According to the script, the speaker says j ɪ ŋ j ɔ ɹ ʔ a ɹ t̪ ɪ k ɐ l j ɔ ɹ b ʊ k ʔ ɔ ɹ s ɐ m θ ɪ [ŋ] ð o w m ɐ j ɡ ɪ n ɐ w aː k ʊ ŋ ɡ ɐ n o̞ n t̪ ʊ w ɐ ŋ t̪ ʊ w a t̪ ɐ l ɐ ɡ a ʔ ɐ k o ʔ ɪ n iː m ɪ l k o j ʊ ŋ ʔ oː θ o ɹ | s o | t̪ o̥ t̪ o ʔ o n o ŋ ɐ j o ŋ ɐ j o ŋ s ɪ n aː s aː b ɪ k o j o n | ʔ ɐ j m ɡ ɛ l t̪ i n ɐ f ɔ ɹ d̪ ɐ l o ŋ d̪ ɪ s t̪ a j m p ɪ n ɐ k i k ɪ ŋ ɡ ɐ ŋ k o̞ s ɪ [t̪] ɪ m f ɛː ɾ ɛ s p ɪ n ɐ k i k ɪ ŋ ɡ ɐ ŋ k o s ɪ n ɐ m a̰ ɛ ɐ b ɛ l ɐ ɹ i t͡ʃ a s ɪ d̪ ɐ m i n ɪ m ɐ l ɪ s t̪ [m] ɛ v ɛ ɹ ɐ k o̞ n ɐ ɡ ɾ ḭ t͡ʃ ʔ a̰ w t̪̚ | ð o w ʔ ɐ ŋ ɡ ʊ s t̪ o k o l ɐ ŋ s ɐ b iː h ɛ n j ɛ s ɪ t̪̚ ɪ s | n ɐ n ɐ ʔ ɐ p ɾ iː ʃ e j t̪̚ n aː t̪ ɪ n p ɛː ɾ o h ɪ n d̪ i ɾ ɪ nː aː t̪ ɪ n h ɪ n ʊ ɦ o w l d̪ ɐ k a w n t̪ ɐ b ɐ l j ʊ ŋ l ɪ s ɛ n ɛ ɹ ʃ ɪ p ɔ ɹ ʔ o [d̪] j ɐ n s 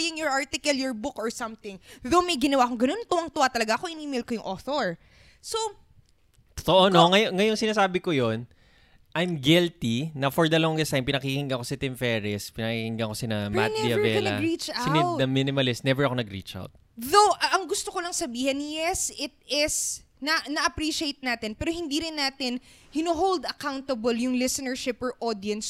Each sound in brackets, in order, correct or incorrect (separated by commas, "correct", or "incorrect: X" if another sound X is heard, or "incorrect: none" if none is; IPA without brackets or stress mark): correct, correct, incorrect: n, correct